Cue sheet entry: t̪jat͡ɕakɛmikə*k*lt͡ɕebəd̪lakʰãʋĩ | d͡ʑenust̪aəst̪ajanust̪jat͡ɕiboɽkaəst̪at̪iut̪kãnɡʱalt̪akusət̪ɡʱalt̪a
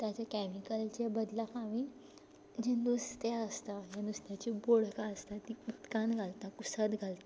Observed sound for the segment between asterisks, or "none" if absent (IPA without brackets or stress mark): none